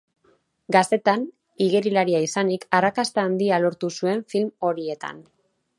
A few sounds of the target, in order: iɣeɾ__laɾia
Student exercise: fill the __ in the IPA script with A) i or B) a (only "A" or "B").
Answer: A